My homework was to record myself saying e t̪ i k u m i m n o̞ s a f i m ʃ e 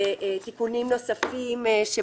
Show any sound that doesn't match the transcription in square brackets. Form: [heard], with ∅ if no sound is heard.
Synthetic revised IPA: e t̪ i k u [n] i m n o̞ s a f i m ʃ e

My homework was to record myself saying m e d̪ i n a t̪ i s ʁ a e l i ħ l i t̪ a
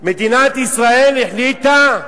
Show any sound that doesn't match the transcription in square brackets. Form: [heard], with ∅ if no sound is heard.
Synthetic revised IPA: m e d̪ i n a t̪ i s ʁ a e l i ħ l i t̪ a

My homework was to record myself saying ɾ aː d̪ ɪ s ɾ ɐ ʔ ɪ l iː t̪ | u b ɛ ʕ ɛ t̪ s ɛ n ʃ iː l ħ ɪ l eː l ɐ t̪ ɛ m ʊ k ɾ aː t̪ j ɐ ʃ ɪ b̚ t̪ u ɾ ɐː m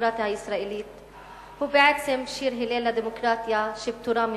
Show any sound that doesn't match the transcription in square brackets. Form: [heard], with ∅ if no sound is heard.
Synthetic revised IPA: ɾ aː [t̪] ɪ s ɾ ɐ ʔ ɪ l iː t̪ | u b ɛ ʕ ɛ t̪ s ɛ [m] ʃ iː [ɾ] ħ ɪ l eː l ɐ [d̪] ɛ m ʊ k ɾ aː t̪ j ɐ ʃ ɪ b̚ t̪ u ɾ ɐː m

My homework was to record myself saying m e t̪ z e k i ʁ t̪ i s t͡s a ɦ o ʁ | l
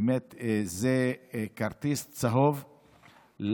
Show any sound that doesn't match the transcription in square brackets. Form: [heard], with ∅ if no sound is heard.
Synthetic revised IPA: m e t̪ z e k [a] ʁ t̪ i s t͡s a ɦ o [v] | l

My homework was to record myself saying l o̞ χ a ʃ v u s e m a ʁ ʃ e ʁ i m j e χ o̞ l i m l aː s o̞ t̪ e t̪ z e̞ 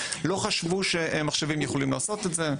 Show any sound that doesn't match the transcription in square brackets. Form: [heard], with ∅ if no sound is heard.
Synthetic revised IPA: l o̞ χ a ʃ v u [ʃ] e m a [χ] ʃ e [v] i m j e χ o̞ l i m l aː s o̞ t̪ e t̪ z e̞

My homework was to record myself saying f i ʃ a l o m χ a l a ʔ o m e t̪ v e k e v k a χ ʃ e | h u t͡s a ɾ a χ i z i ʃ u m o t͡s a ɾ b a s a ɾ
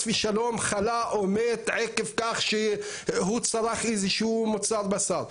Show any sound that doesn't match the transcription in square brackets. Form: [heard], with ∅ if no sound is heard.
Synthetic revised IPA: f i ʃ a l o m χ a l a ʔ o m e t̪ [ʕ] e k e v k a χ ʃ e | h u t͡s a ɾ a χ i z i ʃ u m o t͡s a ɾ b a s a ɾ

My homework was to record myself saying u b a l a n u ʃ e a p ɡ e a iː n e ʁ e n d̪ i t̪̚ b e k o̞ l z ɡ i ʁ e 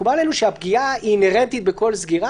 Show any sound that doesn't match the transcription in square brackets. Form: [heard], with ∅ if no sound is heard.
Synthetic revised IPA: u b a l [e] n u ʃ e a p ɡ [i] a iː n e ʁ e n [t̪] i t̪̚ b e k o̞ l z ɡ i ʁ [a]

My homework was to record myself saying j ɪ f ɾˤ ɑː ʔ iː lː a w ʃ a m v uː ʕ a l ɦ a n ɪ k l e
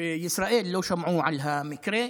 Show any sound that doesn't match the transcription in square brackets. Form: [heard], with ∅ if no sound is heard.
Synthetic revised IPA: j ɪ [s] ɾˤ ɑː ʔ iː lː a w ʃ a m [ʕ] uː ʕ a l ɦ a [m] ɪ k [ɾ] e

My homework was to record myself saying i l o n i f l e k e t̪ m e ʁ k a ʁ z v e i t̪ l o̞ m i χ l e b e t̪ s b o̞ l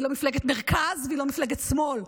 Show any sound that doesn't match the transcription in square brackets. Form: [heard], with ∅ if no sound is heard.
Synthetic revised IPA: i l o [m] i f l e [ɡ] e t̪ m e ʁ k a [∅] z v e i [∅] l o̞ m i [f] l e [ɡ] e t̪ s [m] o̞ l

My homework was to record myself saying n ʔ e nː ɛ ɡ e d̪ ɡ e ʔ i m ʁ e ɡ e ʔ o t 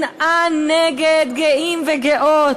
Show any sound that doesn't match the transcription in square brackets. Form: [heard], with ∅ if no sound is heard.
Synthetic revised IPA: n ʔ [a] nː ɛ ɡ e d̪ ɡ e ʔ i m [v] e ɡ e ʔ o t

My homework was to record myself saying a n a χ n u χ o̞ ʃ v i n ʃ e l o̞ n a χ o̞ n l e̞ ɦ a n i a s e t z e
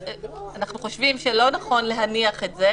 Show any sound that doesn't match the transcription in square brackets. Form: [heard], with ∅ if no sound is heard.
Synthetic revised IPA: a n a χ n u χ o̞ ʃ v i [m] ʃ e l o̞ n a χ o̞ n l e̞ ɦ a n i a [χ] e t z e

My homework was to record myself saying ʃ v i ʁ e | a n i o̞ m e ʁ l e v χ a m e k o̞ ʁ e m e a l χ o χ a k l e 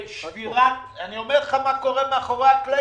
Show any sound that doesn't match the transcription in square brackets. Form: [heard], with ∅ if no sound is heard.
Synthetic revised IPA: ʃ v i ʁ [a] | a n i o̞ m e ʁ l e [∅] χ a m [a] k o̞ ʁ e m e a [∅] χ o [ʁ] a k l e

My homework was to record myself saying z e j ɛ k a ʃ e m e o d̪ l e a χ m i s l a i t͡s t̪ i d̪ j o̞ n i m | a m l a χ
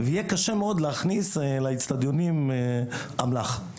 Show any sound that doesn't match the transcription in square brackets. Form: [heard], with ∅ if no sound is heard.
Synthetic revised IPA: [v] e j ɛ k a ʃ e m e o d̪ l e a χ [n] i s l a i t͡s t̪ [a] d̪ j o̞ n i m | a m l a χ

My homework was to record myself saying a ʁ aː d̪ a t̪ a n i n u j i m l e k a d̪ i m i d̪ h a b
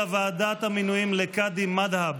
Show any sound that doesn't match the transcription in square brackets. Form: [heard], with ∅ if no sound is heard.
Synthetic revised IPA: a [v] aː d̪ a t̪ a [m] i n u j i m l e k a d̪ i m [a] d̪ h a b

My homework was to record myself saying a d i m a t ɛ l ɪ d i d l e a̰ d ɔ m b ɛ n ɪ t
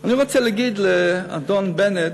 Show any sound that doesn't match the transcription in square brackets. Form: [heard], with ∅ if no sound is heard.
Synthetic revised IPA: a [n] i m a [t͡s] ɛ l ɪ [ɡ] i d l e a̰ d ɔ [n] b ɛ n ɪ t

